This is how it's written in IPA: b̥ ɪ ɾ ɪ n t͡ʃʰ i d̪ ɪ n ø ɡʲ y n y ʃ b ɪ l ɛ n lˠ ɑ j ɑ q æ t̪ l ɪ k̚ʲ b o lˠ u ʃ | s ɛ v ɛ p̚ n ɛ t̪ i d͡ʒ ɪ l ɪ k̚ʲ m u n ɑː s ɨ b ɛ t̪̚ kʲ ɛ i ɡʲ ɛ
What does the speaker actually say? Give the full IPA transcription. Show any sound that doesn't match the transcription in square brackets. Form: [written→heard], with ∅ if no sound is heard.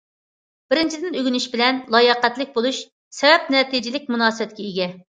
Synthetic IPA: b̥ ɪ ɾ ɪ n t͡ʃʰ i d̪ ɪ n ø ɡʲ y n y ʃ b ɪ l ɛ n lˠ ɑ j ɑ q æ t̪ l ɪ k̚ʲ b o lˠ u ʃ | s ɛ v ɛ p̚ n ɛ t̪ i d͡ʒ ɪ l ɪ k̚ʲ m u n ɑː s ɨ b ɛ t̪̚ kʲ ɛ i ɡʲ ɛ